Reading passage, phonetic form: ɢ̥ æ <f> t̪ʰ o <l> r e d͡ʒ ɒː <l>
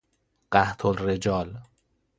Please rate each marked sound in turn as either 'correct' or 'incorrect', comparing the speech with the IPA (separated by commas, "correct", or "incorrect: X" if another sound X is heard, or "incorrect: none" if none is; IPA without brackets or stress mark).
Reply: incorrect: h, correct, correct